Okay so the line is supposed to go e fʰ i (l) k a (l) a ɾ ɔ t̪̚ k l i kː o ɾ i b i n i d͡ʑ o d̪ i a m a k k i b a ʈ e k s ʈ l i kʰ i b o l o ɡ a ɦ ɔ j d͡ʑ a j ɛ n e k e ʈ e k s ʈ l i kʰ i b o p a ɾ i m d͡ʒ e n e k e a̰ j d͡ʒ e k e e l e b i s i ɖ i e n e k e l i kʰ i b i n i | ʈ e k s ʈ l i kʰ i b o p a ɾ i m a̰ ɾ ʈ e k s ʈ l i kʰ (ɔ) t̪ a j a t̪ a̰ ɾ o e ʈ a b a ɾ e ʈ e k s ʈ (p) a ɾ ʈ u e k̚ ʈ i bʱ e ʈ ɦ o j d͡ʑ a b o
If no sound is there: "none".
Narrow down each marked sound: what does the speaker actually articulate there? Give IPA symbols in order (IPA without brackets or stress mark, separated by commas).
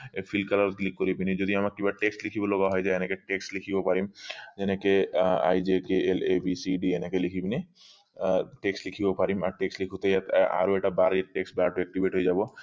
l, l, u, b